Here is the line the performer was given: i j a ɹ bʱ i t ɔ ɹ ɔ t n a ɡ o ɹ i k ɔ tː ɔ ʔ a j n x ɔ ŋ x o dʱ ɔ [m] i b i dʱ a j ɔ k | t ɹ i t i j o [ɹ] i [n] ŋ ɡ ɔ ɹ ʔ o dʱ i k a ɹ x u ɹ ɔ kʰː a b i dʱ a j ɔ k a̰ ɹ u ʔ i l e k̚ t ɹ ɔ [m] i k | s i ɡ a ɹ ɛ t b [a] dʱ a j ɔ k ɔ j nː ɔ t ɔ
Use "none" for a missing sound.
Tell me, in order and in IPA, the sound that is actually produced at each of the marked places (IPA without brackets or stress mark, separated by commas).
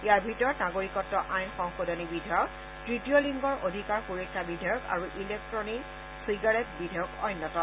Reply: n, l, none, n, i